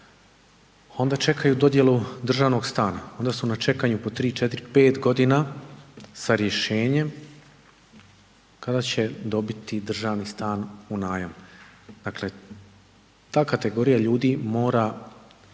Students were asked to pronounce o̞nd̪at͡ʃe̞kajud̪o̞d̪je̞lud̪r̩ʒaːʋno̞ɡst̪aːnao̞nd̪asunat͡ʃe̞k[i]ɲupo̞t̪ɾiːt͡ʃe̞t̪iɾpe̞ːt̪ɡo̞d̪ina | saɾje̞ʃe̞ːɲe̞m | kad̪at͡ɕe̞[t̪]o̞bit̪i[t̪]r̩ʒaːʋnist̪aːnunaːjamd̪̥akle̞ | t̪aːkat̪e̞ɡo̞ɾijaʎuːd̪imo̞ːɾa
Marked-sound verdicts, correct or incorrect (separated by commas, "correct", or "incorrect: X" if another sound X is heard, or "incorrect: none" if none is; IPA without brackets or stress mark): incorrect: a, incorrect: d̪, incorrect: d̪